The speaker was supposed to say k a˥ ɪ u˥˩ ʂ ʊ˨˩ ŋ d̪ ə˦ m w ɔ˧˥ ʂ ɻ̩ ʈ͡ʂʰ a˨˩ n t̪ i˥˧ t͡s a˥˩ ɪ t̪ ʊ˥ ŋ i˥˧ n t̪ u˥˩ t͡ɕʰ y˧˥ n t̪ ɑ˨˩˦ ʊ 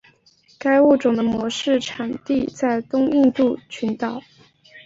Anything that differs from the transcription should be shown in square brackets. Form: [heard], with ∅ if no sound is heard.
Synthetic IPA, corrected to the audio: k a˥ ɪ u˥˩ [ʈ͡ʂ] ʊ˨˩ ŋ d̪ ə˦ m w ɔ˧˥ ʂ ɻ̩ ʈ͡ʂʰ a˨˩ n t̪ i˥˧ t͡s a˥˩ ɪ t̪ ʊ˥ ŋ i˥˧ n t̪ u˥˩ t͡ɕʰ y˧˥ n t̪ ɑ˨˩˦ ʊ